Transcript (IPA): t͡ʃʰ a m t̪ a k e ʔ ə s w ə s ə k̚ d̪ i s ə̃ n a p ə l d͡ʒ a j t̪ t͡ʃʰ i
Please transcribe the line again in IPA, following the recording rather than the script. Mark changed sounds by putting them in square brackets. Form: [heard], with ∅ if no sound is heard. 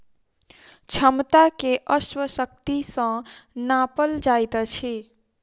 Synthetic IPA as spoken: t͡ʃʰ [ə] m t̪ a k e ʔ ə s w ə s ə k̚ [t̪] i s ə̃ n a p ə l d͡ʒ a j t̪ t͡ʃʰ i